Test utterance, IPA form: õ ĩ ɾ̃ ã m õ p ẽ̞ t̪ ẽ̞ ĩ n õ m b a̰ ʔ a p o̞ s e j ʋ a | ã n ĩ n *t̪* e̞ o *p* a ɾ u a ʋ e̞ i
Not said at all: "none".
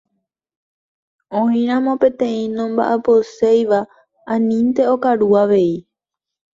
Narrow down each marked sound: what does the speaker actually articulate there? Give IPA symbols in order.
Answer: t̪, k

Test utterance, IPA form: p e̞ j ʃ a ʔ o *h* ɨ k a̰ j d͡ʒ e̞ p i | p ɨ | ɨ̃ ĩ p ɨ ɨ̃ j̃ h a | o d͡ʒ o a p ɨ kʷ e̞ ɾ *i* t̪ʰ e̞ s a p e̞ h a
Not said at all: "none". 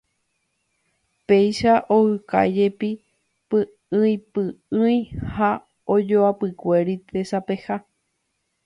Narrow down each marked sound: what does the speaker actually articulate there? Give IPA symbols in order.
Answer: h, i

